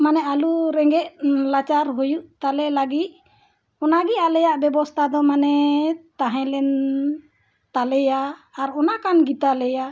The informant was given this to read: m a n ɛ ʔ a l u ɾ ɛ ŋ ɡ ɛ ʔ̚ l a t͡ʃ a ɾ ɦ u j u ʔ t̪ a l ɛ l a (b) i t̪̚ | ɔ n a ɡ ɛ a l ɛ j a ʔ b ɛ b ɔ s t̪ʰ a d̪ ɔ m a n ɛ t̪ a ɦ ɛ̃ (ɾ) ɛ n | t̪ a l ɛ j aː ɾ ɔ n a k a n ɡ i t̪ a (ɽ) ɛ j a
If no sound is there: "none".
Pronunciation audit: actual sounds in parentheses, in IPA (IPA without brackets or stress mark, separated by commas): ɡ, l, l